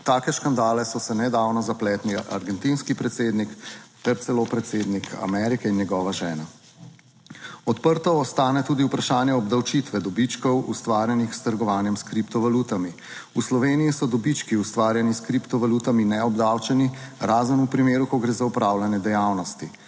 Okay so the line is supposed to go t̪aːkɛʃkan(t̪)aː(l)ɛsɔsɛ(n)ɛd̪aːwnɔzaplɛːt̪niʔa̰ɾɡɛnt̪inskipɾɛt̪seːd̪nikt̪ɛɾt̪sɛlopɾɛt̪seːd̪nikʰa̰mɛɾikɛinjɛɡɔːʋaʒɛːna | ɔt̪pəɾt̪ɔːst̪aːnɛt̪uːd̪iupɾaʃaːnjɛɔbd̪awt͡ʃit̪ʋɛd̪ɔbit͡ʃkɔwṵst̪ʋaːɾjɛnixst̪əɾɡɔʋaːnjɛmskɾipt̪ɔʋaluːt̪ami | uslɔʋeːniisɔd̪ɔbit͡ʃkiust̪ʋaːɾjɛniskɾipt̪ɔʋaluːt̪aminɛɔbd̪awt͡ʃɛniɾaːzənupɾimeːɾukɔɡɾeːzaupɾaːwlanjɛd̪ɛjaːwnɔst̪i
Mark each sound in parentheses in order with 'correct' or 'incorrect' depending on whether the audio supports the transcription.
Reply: incorrect, correct, correct

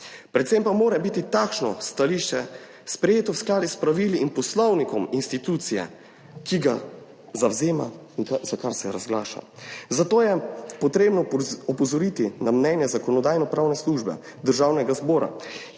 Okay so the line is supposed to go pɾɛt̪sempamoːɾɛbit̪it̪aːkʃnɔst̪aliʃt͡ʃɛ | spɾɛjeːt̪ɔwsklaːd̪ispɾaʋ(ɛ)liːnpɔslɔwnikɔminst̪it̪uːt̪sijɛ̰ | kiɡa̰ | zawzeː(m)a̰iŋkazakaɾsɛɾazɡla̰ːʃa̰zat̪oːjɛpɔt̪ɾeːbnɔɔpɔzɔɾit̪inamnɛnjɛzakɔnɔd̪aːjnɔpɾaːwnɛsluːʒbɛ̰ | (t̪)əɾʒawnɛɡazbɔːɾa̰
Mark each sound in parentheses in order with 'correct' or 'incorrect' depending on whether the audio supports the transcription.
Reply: incorrect, correct, incorrect

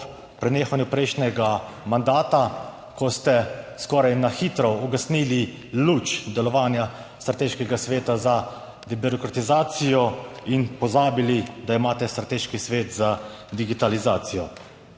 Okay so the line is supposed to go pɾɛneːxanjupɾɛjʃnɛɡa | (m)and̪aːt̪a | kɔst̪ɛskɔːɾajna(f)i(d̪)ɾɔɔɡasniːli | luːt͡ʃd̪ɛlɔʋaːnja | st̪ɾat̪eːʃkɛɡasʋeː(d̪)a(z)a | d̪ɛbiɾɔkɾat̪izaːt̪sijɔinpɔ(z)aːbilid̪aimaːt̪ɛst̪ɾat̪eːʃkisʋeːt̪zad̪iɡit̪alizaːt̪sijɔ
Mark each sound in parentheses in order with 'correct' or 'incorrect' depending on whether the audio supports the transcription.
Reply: correct, incorrect, incorrect, incorrect, correct, correct

